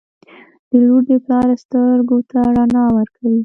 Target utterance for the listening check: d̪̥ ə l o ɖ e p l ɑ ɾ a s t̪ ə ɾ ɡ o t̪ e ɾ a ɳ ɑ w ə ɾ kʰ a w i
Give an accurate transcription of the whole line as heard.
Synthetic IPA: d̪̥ ə l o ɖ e p l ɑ ɾ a s t̪ ə ɾ ɡ o t̪ a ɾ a n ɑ w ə ɾ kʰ a w i